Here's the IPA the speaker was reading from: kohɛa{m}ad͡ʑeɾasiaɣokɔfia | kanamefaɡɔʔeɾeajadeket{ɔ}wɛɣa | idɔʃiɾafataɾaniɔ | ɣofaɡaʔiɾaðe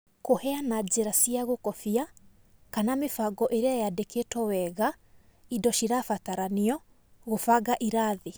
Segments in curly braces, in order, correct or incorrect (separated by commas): incorrect, correct